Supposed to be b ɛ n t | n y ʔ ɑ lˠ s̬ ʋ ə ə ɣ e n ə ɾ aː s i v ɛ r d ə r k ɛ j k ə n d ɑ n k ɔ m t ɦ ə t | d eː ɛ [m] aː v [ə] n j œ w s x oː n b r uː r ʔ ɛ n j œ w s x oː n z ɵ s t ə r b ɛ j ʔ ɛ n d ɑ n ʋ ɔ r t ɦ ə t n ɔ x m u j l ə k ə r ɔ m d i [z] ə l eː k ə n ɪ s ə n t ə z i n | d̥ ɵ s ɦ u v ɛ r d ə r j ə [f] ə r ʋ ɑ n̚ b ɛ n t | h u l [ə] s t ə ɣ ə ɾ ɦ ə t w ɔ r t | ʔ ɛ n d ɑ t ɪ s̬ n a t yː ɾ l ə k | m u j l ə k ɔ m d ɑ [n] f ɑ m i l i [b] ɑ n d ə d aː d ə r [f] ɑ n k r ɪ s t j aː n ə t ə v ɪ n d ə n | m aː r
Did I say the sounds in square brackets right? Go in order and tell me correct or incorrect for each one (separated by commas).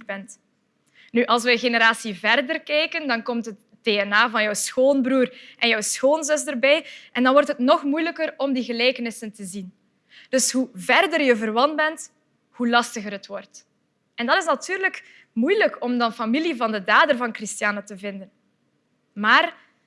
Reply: incorrect, incorrect, incorrect, incorrect, incorrect, correct, incorrect, incorrect